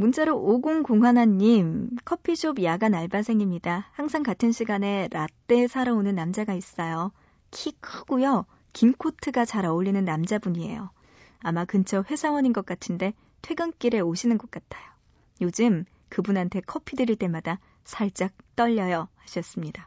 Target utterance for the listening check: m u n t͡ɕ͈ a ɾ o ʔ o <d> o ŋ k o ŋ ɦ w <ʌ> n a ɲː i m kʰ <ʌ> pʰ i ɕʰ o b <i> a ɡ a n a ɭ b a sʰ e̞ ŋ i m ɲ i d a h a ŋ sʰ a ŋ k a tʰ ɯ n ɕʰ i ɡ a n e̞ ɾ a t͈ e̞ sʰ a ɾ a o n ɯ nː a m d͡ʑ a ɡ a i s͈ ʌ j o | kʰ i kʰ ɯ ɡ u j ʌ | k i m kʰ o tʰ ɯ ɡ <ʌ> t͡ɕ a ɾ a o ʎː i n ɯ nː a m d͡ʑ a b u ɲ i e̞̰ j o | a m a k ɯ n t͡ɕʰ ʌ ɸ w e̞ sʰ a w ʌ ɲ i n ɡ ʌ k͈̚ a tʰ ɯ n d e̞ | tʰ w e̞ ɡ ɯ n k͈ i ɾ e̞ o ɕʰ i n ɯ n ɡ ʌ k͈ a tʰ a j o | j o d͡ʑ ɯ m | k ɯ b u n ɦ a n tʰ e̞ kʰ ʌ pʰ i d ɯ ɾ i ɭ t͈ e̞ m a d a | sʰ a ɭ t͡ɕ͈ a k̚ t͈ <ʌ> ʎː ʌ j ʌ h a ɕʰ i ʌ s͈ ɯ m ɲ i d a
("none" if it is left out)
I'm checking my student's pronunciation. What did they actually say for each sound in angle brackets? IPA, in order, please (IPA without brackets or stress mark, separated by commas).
ɡ, a, ʌ, j, a, ʌ